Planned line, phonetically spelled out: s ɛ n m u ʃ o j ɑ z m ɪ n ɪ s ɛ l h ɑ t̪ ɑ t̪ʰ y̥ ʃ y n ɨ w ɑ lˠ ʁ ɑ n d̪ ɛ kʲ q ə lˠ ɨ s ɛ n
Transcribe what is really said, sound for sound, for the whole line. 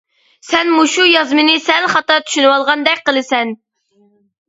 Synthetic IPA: s ɛ n m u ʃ u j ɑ z m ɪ n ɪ s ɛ l χ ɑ t̪ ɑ t̪ʰ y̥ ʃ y n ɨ w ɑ lˠ ʁ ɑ n d̪ ɛ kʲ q ə lˠ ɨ s ɛ n